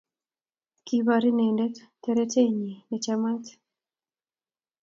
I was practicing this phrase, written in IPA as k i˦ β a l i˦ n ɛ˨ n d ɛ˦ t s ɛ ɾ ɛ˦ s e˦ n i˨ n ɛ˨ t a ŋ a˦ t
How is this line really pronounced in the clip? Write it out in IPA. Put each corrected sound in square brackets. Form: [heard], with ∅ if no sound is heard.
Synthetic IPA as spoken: k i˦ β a [ɾ] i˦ n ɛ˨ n d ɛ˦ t [t] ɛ ɾ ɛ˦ [t] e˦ [ɲ] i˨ n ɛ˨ [t͡ʃ] a [m] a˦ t